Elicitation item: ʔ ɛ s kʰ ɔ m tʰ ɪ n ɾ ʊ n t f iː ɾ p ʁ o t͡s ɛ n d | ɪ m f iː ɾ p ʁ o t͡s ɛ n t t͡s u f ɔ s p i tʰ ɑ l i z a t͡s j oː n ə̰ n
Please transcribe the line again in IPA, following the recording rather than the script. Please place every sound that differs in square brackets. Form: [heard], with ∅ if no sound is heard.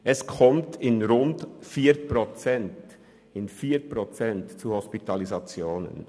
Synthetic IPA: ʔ ɛ s kʰ ɔ m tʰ ɪ n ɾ ʊ n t f iː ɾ p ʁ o t͡s ɛ n [t] | ɪ [n] f iː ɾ p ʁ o t͡s ɛ n t t͡s u [h] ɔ s p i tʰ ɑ l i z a t͡s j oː n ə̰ n